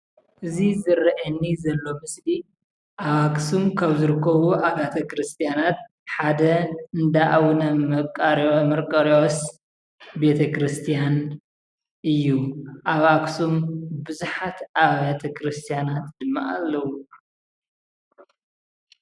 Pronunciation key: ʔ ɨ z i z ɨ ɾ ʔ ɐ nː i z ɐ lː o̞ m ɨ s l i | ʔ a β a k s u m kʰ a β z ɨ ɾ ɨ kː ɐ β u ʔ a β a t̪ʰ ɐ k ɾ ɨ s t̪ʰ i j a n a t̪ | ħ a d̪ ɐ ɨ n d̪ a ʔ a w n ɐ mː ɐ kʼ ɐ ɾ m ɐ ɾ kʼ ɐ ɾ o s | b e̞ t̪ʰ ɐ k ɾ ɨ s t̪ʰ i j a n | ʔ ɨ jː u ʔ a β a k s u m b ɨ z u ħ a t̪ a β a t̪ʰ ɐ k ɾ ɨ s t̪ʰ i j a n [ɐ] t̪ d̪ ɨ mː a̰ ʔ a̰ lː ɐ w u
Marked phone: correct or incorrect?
incorrect